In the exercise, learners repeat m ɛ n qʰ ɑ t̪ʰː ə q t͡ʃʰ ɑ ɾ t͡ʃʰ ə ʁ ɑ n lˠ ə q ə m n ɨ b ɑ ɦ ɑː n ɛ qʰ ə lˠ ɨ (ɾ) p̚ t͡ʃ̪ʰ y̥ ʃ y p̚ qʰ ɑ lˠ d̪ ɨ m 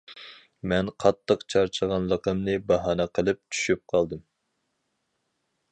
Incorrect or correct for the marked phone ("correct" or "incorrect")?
incorrect